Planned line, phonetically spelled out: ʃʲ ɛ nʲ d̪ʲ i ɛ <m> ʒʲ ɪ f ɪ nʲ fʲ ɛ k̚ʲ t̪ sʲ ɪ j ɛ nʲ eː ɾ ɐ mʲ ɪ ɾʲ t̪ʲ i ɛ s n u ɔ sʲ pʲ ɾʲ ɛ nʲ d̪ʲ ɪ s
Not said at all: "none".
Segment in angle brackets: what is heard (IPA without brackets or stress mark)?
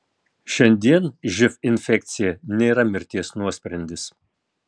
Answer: n